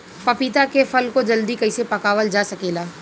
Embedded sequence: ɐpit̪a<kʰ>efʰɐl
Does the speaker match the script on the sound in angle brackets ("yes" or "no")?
no